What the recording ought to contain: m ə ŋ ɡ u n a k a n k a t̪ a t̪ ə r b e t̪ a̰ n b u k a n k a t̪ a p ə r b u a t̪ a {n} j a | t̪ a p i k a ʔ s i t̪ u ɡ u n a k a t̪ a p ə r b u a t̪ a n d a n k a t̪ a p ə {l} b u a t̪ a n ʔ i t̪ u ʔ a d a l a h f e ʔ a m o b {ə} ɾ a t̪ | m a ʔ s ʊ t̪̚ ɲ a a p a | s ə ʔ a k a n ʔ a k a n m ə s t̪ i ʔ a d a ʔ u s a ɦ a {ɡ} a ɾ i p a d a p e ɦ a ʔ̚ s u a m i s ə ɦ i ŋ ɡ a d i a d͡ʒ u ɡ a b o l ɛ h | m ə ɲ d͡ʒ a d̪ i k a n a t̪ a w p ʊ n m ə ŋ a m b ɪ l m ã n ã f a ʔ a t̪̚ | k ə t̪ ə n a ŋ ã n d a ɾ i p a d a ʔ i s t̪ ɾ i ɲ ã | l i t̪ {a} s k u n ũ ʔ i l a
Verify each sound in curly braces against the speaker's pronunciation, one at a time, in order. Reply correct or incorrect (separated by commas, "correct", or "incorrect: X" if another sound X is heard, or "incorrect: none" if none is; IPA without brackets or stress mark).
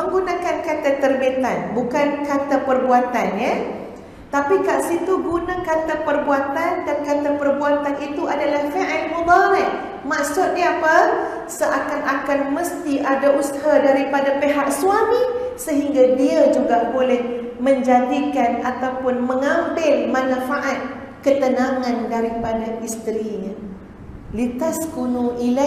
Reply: correct, incorrect: r, incorrect: a, incorrect: d, correct